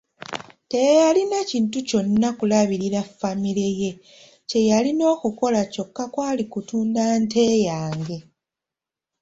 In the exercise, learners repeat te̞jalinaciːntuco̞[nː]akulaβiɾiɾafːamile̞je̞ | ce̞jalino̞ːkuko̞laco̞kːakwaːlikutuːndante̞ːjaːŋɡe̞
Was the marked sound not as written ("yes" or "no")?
no